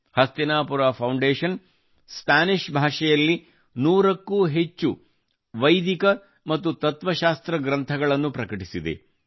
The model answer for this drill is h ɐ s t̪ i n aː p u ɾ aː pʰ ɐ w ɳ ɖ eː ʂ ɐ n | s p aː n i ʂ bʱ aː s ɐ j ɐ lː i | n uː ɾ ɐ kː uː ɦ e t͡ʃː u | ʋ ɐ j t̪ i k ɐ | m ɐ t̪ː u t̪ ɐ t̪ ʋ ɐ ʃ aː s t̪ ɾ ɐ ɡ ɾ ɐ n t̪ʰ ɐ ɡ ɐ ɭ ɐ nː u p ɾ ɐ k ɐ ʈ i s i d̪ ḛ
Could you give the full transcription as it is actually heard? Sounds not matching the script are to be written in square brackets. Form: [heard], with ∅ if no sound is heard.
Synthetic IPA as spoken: h ɐ s t̪ i n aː p u ɾ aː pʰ ɐ w ɳ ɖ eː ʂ ɐ n | s p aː n i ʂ bʱ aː [ʂ] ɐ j ɐ lː i | n uː ɾ ɐ kː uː ɦ e t͡ʃː u | ʋ ɐ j [d̪] i k ɐ | m ɐ t̪ː u t̪ ɐ t̪ ʋ ɐ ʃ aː s t̪ ɾ ɐ ɡ ɾ ɐ n t̪ʰ ɐ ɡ ɐ ɭ ɐ nː u p ɾ ɐ k ɐ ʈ i s i d̪ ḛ